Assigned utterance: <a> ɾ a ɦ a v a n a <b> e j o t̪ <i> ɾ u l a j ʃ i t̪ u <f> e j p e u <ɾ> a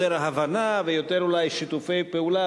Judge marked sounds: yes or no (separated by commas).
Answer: no, no, no, yes, no